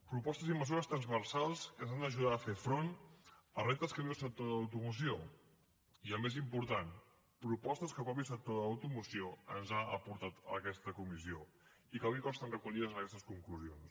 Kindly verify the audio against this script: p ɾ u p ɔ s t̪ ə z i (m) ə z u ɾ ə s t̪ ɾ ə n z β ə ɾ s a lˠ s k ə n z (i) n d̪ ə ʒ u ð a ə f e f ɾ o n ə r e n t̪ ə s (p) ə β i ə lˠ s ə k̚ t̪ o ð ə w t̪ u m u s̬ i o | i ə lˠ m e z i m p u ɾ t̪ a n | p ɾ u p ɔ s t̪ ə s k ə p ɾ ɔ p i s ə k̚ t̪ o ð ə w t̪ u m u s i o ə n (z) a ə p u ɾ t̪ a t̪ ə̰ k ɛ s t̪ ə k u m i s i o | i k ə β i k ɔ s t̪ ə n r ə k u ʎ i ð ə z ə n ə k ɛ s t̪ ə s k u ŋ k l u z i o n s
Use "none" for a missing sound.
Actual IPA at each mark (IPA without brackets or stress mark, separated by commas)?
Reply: m, a, k, z